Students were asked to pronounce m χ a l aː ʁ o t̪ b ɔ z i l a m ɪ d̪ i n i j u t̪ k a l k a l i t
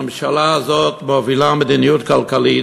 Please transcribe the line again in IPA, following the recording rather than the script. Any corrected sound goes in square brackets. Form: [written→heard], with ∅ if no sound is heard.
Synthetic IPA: m [χ→ʃ] a l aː [ʁ→z] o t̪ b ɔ [z→v] i l a m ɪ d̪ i n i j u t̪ k a l k a l i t